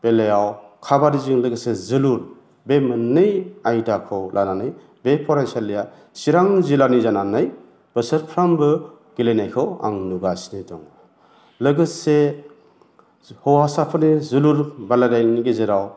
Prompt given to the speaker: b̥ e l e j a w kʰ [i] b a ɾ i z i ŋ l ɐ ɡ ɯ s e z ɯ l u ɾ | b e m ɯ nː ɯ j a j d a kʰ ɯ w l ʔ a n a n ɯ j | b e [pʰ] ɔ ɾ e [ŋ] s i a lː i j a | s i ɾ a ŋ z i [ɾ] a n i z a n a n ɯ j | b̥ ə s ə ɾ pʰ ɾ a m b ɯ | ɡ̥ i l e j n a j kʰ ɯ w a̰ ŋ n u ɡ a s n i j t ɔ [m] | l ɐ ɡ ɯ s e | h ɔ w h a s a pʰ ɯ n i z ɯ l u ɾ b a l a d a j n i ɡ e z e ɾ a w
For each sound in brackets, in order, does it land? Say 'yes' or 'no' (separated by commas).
no, yes, no, no, no